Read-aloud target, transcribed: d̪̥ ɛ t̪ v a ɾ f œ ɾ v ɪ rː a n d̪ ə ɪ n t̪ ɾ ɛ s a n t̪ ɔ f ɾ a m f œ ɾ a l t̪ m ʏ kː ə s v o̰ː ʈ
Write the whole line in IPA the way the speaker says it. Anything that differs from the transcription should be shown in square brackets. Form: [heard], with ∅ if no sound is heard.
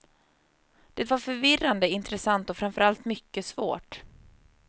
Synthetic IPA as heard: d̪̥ ɛ t̪ v a ɾ f œ ɾ v ɪ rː a n d̪ ə ɪ n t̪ ɾ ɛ s a n t̪ ɔ f ɾ a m f œ ɾ a l t̪ m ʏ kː ə s v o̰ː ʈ